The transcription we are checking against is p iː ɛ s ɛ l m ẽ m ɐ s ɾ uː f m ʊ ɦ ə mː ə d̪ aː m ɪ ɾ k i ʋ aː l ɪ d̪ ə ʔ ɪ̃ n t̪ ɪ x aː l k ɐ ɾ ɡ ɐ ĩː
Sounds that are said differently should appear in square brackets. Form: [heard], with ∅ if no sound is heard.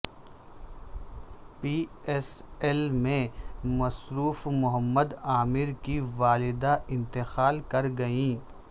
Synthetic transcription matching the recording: p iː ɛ s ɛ l m ẽ m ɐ s ɾ uː f m ʊ ɦ ə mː ə d̪ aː m ɪ ɾ k i ʋ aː l ɪ d̪ [a] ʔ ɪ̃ n t̪ ɪ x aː l k ɐ ɾ ɡ ɐ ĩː